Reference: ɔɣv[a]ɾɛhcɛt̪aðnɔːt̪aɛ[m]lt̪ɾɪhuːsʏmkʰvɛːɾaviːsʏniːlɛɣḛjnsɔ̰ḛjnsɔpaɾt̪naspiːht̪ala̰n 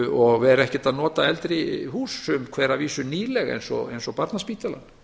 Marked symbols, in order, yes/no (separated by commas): no, no